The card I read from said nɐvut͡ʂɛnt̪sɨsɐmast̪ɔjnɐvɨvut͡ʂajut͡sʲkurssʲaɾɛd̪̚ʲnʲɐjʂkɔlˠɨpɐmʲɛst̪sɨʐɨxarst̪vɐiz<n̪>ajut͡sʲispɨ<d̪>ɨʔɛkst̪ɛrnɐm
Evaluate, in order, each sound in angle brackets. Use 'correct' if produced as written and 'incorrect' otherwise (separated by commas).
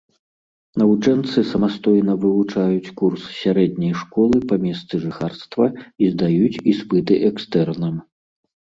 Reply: incorrect, incorrect